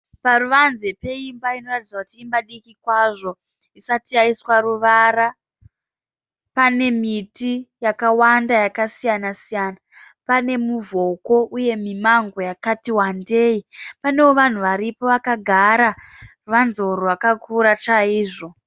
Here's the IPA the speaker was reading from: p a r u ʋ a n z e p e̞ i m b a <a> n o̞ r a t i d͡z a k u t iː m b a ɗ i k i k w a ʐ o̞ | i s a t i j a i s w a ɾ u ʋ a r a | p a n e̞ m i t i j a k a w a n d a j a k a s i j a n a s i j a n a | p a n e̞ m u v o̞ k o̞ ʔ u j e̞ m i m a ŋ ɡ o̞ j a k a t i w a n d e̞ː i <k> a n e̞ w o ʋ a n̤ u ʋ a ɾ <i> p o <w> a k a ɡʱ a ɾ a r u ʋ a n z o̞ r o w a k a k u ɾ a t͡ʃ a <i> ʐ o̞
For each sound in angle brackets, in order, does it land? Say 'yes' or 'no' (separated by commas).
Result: no, no, yes, no, no